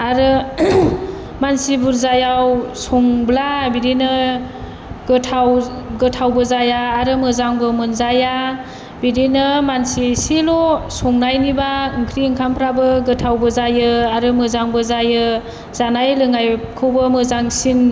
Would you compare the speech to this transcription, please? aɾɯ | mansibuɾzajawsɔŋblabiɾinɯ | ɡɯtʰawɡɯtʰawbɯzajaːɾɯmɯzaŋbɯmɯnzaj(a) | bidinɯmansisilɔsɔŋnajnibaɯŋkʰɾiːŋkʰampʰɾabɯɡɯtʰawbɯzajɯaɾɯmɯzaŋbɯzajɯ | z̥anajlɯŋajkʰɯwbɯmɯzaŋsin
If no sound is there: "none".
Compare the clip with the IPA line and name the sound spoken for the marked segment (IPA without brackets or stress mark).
a